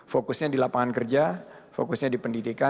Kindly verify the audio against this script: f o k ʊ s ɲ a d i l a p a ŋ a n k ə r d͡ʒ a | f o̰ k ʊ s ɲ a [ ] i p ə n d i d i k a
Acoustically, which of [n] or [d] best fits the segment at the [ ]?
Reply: d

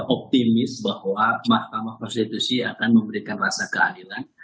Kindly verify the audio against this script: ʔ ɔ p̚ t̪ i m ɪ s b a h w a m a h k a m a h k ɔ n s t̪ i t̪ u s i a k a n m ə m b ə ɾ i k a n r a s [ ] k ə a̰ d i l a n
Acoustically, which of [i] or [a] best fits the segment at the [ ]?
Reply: a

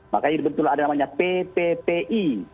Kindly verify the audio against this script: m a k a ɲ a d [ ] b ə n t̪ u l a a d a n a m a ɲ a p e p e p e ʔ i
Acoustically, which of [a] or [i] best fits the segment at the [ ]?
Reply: i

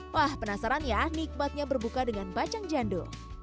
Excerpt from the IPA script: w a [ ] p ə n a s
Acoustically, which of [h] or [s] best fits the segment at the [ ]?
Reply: h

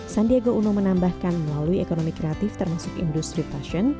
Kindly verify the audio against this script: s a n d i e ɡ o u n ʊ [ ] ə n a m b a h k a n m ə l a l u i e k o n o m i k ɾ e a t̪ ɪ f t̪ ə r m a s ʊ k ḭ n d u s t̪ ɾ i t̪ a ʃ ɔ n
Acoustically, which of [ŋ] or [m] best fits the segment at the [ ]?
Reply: m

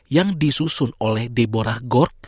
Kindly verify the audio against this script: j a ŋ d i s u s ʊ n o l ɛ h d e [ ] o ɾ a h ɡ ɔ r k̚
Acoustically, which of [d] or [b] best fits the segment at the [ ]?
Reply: b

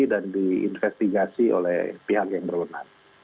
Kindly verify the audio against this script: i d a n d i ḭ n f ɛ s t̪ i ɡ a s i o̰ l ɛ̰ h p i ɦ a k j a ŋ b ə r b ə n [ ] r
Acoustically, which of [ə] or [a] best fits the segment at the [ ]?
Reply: a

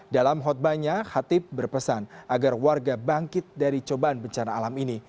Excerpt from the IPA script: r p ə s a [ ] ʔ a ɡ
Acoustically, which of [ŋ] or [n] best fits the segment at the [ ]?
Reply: n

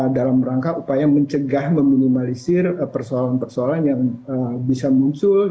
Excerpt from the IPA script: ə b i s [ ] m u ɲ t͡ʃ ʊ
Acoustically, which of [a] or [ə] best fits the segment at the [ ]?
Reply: a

